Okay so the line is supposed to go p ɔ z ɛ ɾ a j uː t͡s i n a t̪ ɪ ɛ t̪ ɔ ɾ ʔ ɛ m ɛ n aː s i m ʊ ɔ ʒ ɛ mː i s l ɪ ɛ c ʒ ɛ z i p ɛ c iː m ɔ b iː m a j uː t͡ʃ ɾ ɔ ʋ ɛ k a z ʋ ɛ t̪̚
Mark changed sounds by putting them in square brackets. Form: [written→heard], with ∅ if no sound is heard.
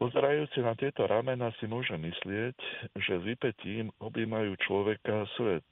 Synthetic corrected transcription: p ɔ z ɛ ɾ a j uː t͡s i n a t̪ ɪ ɛ t̪ ɔ ɾ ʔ [ɛ→a] m ɛ n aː s i m ʊ ɔ ʒ ɛ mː i s l ɪ ɛ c ʒ ɛ z i p ɛ c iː m ɔ b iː m a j uː t͡ʃ [ɾ→l] ɔ ʋ ɛ k a [z→s] ʋ ɛ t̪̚